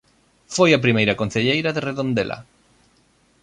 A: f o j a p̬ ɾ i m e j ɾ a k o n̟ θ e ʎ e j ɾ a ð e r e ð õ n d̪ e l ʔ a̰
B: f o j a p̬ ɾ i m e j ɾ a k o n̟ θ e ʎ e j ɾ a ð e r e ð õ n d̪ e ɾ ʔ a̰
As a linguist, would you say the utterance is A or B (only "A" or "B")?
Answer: A